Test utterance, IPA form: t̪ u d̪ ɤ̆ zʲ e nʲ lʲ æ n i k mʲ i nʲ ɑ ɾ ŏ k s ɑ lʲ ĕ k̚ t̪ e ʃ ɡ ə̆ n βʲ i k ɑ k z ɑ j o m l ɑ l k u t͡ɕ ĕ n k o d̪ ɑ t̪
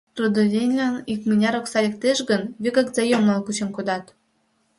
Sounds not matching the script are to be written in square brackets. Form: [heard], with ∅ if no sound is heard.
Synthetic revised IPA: t̪ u d̪ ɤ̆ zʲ e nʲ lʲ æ n i k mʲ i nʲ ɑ ɾ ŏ k s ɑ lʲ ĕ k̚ t̪ e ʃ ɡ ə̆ n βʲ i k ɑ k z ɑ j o m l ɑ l k u t͡ɕ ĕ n k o d̪ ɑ t̪

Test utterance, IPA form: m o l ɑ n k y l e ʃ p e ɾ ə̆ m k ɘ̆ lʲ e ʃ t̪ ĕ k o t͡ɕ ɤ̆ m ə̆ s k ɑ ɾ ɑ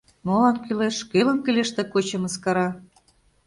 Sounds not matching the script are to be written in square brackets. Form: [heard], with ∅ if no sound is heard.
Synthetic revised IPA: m o l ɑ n k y l e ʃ [k] e [l] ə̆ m k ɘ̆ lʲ e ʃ t̪ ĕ k o t͡ɕ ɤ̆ m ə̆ s k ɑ ɾ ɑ

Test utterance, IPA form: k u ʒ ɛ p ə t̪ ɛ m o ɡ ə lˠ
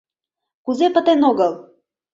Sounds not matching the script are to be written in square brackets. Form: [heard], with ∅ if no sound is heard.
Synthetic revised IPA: k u [z] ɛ p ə t̪ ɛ [n] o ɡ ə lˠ

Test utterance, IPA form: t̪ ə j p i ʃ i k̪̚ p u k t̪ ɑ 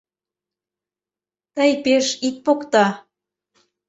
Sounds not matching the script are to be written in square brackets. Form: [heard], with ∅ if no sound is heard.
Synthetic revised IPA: t̪ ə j p [e] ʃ i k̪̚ p [o] k t̪ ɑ

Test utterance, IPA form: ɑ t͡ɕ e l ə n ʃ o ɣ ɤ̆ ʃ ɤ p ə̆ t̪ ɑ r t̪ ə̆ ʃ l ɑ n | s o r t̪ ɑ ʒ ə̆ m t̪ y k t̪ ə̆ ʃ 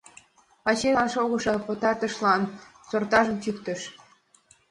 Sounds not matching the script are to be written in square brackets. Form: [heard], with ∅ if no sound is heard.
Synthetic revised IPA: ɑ t͡ɕ e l [ɑ] n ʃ o ɣ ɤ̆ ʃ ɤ p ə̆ t̪ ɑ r t̪ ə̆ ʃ l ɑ n | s o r t̪ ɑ ʒ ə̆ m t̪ y k t̪ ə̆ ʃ

